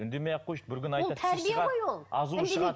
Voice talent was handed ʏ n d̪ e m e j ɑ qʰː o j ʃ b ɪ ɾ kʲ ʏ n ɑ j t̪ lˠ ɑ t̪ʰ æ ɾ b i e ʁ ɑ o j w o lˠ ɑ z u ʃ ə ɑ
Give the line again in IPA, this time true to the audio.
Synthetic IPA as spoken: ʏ n d̪ e m e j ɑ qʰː o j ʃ b ɪ ɾ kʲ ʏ n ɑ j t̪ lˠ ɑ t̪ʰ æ ɾ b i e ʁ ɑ o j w o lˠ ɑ z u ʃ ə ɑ